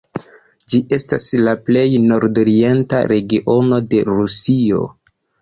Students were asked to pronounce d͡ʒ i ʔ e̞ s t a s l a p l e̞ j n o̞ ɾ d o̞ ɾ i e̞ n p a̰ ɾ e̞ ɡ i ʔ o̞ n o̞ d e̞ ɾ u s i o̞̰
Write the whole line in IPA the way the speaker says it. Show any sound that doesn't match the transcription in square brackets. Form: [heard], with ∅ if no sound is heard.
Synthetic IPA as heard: d͡ʒ i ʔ e̞ s t a s l a p l e̞ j n o̞ ɾ d o̞ ɾ i e̞ n [t] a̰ ɾ e̞ ɡ i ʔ o̞ n o̞ d e̞ ɾ u s i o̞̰